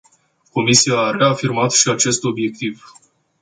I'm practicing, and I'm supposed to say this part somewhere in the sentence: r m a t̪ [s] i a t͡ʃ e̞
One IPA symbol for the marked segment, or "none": ʃ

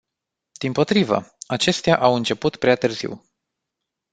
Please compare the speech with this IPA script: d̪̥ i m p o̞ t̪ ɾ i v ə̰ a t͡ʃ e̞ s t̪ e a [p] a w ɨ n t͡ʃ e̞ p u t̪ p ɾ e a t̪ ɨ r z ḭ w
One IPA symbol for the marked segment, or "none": ʔ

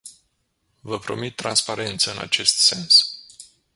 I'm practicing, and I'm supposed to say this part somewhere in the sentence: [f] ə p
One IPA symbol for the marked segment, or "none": v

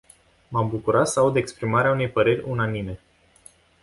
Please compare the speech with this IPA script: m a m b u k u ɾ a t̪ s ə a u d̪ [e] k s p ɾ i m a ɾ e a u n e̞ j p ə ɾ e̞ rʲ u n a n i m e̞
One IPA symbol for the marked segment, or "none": e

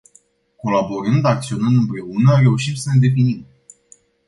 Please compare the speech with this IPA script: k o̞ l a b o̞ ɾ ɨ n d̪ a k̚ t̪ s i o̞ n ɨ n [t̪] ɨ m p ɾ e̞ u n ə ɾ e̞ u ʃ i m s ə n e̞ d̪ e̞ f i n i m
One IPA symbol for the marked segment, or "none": d̪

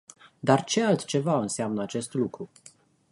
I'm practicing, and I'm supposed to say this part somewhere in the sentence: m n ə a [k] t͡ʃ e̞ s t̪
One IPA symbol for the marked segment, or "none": none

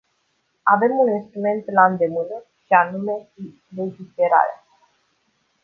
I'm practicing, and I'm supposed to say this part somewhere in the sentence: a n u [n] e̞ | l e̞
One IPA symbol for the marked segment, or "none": m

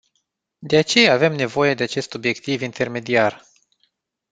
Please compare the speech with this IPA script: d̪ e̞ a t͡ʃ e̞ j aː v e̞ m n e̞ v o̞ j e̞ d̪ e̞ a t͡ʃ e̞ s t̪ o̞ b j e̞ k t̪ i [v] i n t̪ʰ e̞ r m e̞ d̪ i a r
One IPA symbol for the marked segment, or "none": v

